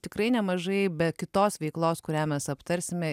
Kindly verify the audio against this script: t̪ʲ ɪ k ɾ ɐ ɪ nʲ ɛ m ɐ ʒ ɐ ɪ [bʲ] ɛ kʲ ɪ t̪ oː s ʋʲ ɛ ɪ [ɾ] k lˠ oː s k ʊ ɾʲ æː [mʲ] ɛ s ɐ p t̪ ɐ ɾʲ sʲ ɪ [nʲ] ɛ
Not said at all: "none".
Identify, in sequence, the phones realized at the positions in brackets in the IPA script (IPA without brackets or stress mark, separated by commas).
bʲ, none, mʲ, mʲ